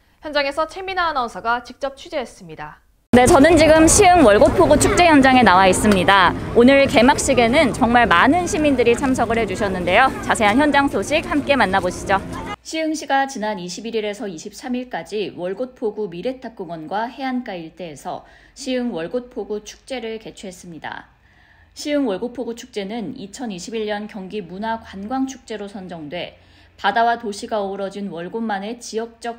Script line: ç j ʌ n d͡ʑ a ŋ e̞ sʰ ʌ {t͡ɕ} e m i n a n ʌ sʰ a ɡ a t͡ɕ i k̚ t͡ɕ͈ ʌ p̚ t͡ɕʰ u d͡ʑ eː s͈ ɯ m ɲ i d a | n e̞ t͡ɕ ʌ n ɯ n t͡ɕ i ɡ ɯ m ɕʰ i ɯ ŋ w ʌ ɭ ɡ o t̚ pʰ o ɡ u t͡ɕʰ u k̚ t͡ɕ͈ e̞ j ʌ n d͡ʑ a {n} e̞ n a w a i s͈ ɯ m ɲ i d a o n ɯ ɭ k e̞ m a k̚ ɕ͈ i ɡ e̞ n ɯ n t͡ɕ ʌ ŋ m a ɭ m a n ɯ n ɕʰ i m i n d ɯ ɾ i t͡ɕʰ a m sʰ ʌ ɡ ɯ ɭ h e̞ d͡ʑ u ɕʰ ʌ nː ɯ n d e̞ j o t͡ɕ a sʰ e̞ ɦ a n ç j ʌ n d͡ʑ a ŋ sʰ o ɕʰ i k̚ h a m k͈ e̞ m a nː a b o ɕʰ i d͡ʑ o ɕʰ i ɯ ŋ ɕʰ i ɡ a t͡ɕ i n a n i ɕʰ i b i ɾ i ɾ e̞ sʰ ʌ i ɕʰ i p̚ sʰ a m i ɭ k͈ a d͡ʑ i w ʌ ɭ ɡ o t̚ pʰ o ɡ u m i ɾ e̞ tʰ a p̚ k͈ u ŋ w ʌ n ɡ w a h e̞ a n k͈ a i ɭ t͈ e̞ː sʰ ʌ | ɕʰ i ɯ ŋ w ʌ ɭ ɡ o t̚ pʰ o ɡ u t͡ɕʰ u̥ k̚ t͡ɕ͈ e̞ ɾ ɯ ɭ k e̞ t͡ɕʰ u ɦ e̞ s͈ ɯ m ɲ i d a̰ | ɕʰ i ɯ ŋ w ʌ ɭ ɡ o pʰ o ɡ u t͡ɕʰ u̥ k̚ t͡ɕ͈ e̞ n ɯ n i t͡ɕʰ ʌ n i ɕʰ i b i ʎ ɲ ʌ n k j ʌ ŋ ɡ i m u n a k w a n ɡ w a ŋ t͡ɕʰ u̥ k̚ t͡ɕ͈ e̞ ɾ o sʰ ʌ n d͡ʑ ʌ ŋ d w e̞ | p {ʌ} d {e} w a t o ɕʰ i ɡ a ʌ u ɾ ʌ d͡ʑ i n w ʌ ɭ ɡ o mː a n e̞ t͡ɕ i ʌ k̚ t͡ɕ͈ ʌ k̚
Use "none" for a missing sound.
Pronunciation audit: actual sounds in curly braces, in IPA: t͡ɕʰ, ŋ, a, a

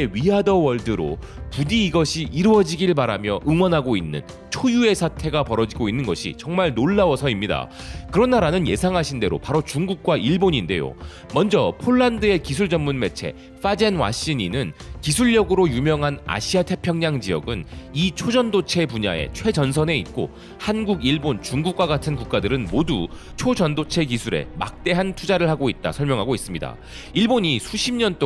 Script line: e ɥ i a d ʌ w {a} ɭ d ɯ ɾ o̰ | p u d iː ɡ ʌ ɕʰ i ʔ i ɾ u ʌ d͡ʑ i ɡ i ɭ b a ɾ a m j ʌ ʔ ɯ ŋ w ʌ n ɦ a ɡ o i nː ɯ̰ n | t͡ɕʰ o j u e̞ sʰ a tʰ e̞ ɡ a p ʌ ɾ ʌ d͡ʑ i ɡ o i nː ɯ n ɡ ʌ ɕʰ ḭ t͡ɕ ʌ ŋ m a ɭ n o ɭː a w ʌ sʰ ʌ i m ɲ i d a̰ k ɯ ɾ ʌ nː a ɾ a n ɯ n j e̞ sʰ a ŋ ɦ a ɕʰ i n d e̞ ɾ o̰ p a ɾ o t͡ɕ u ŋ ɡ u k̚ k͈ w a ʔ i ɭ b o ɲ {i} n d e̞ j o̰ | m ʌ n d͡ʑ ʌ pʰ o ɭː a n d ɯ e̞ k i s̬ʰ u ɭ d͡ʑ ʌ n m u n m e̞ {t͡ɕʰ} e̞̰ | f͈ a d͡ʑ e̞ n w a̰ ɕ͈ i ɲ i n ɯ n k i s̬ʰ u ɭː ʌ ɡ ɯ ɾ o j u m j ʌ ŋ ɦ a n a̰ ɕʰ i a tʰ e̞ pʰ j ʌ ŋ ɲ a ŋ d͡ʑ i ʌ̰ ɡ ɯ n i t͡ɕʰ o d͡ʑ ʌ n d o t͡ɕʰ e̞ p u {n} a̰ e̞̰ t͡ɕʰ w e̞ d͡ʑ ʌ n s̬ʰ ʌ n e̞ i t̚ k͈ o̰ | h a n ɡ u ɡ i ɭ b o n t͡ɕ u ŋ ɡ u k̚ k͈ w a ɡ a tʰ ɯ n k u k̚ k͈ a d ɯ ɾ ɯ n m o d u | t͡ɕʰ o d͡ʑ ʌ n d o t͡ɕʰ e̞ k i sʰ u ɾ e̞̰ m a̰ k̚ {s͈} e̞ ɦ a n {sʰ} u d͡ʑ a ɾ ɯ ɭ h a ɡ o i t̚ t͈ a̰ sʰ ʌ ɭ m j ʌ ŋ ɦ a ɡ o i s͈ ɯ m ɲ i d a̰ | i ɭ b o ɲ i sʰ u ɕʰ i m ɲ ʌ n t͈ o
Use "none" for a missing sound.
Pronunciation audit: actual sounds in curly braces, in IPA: ʌ, i, t͡ɕʰ, ɲ, t͈, tʰ

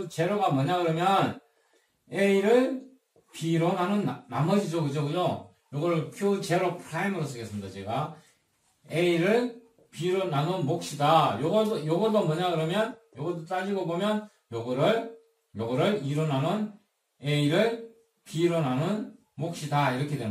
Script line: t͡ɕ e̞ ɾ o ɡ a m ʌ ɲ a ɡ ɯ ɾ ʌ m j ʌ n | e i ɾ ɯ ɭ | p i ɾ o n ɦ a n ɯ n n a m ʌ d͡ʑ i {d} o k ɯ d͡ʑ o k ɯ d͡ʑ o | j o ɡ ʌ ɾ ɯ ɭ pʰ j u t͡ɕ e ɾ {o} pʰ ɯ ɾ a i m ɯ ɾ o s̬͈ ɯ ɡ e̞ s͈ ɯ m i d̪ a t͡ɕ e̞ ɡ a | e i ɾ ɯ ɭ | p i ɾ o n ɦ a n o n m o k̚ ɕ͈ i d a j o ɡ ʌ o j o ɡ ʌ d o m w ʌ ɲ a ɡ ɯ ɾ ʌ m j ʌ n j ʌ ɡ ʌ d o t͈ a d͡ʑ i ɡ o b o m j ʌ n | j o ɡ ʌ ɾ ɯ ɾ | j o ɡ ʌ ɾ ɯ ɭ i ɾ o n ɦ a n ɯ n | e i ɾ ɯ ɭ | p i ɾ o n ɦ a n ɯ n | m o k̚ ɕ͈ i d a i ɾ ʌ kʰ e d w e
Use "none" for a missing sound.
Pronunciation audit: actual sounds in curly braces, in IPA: d͡ʑ, o

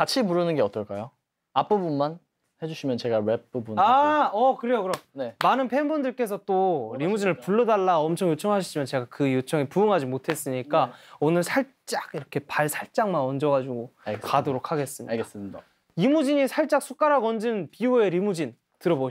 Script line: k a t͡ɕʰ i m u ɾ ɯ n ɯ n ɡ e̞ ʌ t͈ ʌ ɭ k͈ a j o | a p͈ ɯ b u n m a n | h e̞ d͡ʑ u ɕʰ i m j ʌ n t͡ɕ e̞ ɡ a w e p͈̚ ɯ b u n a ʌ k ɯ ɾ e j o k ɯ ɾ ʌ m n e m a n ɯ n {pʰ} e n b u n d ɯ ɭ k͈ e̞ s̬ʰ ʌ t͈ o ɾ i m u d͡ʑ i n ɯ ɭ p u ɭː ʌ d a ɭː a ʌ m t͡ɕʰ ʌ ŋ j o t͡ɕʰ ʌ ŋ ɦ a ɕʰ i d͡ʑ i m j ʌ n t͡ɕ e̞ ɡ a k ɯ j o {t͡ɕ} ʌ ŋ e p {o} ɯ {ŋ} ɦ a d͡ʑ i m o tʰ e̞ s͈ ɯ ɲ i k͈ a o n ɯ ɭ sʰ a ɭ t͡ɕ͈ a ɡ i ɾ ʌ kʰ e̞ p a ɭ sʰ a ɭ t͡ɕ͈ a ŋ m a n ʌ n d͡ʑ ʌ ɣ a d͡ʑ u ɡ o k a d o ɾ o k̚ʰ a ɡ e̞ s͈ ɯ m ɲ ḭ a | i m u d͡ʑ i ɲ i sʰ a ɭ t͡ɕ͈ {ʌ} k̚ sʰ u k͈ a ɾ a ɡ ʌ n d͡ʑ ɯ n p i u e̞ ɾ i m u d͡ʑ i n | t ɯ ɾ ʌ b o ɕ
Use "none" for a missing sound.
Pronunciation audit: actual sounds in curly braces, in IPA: pʰ, t͡ɕʰ, u, ŋ, a

